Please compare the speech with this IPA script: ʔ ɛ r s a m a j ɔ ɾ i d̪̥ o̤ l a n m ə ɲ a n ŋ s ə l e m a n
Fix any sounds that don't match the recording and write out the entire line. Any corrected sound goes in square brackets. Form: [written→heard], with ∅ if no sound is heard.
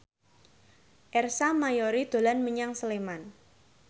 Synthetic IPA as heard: ʔ ɛ r s a m a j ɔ ɾ i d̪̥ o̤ l a n m ə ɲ a [n→∅] ŋ s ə l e m a n